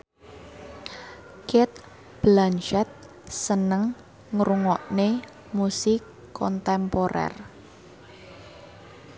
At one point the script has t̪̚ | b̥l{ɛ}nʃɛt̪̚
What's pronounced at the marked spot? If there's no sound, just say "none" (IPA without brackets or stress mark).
a